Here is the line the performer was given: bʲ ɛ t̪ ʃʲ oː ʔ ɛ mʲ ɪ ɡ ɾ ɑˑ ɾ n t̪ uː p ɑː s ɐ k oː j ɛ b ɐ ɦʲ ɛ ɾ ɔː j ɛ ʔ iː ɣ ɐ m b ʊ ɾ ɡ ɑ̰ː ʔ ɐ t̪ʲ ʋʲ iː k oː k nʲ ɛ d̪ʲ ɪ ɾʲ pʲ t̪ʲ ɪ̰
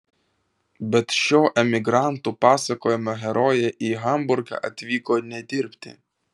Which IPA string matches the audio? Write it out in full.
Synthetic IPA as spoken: bʲ ɛ t̪ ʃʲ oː ʔ ɛ mʲ ɪ ɡ ɾ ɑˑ n t̪ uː p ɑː s ɐ k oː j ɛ m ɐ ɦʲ ɛ ɾ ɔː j ɛ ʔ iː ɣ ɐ m b ʊ ɾ ɡ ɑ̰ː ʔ ɐ t̪ʲ ʋʲ iː k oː nʲ ɛ d̪ʲ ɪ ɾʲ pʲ t̪ʲ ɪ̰

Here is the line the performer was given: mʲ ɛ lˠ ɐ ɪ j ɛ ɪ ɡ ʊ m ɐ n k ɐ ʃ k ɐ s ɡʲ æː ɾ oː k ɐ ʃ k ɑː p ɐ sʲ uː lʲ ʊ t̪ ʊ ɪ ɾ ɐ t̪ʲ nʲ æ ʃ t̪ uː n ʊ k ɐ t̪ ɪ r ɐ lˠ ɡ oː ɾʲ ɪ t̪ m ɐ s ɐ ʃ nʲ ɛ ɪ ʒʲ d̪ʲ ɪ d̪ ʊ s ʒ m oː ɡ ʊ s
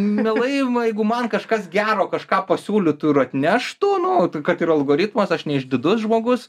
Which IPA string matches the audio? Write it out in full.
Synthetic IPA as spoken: mʲ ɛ lˠ ɐ ɪ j ɛ ɪ ɡ ʊ m ɐ n k ɐ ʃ k ɐ s ɡʲ æː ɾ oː k ɐ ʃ k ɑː p ɐ sʲ uː lʲ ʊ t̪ ʊ ɪ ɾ ɐ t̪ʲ nʲ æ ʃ t̪ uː n ʊ k ɐ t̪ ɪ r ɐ lˠ ɡ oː ɾʲ ɪ t̪ m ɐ s ɐ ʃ nʲ ɛ ɪ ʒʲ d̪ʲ ɪ d̪ ʊ s ʒ m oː ɡ ʊ s

